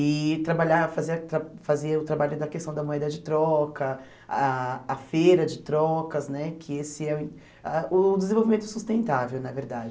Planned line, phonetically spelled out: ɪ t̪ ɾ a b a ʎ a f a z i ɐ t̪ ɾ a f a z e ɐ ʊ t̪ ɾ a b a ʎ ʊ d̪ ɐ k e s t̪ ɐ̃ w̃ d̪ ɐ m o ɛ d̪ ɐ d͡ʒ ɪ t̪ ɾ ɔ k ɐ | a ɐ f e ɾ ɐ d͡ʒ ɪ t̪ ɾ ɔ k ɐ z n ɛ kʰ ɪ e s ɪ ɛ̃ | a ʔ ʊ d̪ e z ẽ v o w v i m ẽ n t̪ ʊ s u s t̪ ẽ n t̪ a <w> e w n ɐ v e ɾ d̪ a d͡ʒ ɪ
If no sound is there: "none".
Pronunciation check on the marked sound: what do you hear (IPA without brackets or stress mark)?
v